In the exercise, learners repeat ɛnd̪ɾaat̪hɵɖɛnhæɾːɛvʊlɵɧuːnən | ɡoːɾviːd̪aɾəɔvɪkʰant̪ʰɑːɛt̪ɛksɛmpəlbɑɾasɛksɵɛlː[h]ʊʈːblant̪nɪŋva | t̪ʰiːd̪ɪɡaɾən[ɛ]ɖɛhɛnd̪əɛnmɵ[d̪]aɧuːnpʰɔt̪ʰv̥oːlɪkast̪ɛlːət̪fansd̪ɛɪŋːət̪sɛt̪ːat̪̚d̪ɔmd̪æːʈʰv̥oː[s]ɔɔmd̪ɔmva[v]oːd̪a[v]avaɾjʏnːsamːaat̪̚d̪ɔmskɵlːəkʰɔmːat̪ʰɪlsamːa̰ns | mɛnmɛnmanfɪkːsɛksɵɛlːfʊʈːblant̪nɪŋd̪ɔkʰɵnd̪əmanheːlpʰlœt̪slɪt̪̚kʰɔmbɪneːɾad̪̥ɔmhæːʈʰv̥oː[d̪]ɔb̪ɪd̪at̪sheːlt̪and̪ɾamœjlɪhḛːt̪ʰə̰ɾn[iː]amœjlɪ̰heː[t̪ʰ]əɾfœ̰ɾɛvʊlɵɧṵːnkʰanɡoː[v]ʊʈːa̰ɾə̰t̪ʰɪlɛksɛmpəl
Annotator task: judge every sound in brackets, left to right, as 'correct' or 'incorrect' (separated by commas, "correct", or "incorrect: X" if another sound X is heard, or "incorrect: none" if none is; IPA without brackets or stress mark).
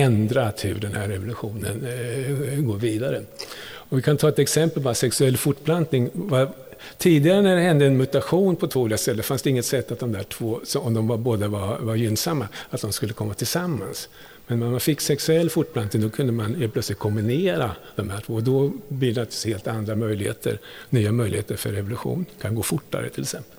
incorrect: f, incorrect: æ, incorrect: t̪, correct, incorrect: b, correct, correct, incorrect: yː, incorrect: t̪, incorrect: f